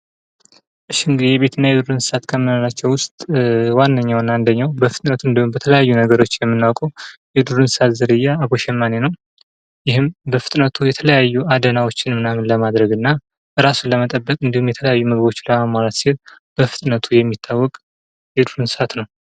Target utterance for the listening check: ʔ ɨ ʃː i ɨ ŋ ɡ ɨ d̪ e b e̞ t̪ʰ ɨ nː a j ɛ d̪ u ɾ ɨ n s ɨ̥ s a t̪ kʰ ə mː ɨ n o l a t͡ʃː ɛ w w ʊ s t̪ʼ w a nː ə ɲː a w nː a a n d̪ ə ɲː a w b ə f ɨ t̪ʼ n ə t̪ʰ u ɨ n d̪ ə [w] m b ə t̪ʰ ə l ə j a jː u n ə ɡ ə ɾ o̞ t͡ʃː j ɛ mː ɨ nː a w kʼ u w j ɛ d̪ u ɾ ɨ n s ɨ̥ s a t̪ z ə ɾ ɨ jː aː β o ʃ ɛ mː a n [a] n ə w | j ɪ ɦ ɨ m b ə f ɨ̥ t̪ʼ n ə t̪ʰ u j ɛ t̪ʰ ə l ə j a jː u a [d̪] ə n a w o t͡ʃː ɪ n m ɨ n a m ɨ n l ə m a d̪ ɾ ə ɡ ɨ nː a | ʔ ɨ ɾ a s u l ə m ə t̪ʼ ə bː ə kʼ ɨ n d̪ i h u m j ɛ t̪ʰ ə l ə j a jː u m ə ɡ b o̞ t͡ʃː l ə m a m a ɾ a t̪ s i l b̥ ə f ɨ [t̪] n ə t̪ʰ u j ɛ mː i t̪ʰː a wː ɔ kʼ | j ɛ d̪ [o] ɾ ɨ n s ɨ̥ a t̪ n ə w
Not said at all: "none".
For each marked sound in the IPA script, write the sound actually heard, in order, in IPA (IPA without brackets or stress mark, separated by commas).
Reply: u, e, d̪, t̪ʼ, u